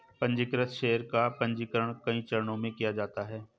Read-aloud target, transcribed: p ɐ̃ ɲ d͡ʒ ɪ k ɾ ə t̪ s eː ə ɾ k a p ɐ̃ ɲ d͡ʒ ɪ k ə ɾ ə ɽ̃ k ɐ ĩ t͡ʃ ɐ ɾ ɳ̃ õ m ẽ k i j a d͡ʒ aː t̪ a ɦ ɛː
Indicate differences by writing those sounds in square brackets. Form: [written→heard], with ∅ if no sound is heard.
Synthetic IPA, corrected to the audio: p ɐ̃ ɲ d͡ʒ ɪ k ɾ ə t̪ [s→ʃ] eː ə ɾ k a p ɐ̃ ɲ d͡ʒ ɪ k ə ɾ ə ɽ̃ k ɐ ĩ t͡ʃ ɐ ɾ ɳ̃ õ m ẽ k i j a d͡ʒ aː t̪ a ɦ ɛː